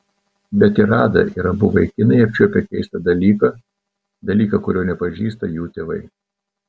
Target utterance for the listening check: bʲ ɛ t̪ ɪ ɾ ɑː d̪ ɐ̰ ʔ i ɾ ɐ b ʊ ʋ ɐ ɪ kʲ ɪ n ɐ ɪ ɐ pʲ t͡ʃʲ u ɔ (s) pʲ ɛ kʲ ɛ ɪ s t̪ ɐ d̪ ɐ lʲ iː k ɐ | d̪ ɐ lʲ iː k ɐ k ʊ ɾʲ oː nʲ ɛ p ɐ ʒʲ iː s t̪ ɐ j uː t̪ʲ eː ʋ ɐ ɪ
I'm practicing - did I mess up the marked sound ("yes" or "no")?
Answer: yes